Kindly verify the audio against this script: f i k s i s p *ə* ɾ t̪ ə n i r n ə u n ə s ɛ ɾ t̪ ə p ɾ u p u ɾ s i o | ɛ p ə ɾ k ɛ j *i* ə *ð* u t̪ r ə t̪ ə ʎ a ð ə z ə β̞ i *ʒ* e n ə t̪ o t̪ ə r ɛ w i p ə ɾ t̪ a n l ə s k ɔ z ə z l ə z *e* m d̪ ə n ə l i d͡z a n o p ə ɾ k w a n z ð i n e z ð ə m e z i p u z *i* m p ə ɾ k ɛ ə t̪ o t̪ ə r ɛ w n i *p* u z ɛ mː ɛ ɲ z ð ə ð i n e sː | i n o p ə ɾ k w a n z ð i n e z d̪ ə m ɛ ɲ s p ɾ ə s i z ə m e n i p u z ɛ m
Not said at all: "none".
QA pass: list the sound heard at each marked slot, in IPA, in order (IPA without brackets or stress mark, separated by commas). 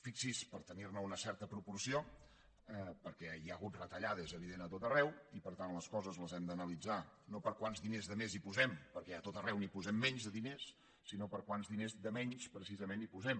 ə, a, ɣ, ð, ɛ, ɛ, p